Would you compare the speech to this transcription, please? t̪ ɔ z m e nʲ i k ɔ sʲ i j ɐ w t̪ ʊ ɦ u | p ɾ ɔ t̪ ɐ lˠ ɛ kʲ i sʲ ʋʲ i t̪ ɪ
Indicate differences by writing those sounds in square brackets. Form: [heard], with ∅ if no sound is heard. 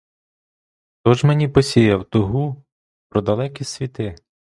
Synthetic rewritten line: t̪ ɔ [ʒ] m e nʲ i [p] ɔ sʲ i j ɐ w t̪ ʊ ɦ u | p ɾ ɔ [d̪] ɐ lˠ ɛ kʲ i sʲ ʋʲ i t̪ ɪ

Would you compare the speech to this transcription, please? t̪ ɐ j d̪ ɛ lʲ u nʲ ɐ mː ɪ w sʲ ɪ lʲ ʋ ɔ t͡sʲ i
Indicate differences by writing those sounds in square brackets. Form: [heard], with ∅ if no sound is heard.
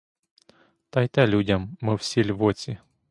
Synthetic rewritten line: t̪ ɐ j [t̪] ɛ lʲ u [dʲ] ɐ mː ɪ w sʲ [i] lʲ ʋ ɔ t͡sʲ i

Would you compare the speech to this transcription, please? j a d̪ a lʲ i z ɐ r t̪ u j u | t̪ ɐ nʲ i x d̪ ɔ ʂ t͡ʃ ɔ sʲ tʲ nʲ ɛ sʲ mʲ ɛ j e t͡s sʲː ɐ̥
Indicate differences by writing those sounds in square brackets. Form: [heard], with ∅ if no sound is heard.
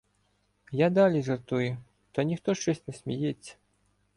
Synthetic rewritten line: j a d̪ a lʲ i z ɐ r t̪ u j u | t̪ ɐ nʲ i x [t̪] ɔ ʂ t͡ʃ ɔ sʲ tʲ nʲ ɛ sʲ mʲ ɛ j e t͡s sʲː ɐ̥

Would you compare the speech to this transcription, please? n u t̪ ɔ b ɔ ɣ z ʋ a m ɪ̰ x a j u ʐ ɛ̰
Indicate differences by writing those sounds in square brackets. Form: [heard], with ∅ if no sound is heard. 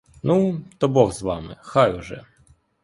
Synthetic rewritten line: n u t̪ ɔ b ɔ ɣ z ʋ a m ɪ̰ x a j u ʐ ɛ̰

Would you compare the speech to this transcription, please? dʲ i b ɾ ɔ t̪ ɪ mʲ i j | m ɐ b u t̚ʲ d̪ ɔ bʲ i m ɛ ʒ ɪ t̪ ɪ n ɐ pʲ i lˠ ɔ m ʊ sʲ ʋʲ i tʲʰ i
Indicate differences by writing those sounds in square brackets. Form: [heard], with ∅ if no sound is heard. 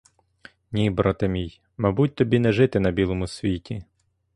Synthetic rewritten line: [nʲ] i b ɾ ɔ t̪ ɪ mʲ i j | m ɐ b u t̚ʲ [t̪] ɔ bʲ i [n] ɛ ʒ ɪ t̪ ɪ n ɐ [bʲ] i lˠ ɔ m ʊ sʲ ʋʲ i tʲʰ i

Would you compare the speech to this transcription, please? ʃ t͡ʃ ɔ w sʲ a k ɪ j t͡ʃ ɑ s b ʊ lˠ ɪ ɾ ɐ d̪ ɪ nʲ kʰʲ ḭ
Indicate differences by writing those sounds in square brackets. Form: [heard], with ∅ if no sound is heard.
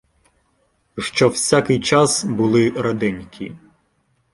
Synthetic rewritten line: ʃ t͡ʃ ɔ w sʲ a k ɪ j t͡ʃ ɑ s b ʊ lˠ ɪ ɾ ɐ d̪ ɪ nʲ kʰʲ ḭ

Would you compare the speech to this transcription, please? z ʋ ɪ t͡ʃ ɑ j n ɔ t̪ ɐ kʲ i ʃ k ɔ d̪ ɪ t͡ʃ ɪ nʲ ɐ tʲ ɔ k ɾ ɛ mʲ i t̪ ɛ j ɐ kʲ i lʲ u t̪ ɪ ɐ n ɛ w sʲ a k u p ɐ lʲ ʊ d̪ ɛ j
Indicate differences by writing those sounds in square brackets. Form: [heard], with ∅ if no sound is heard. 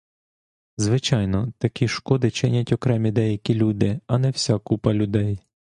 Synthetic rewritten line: z ʋ ɪ t͡ʃ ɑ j n ɔ t̪ ɐ kʲ i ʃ k ɔ d̪ ɪ t͡ʃ ɪ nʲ ɐ tʲ ɔ k ɾ ɛ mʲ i [d̪] ɛ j ɐ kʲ i lʲ u [d̪] ɪ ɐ n ɛ w sʲ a k u p ɐ lʲ ʊ d̪ ɛ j

